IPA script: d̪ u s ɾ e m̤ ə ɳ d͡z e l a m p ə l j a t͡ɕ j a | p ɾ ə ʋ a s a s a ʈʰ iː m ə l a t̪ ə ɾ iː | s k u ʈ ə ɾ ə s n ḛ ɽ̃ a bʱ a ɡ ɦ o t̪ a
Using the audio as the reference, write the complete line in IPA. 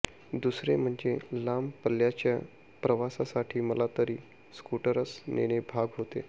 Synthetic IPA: d̪ u s ɾ e m̤ ə ɳ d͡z e l a m p ə l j a t͡ɕ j a | p ɾ ə ʋ a s a s a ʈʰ iː m ə l a t̪ ə ɾ iː | s k u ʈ ə ɾ ə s n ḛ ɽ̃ e bʱ a ɡ ɦ o t̪ e